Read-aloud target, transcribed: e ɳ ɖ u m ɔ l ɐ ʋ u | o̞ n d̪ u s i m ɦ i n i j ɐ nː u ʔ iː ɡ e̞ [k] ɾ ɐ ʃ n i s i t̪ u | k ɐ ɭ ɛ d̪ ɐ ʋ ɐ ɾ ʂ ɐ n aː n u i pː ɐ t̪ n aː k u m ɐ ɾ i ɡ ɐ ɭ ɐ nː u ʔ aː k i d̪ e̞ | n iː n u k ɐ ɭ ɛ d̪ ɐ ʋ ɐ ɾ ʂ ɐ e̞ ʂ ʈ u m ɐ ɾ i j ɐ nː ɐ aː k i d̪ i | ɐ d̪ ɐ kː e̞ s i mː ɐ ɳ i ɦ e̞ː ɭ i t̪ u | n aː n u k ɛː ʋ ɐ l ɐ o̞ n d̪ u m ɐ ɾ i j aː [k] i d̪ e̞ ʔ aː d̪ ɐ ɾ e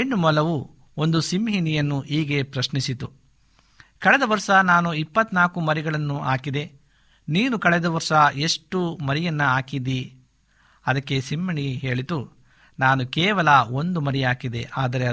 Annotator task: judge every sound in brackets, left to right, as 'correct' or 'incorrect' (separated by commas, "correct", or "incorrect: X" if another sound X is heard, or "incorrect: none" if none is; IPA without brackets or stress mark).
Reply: incorrect: p, correct